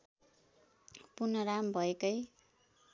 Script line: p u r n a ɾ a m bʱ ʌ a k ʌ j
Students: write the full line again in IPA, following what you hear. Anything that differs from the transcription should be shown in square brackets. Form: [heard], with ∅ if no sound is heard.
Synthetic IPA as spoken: p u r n [ʌ] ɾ a m bʱ ʌ [e] k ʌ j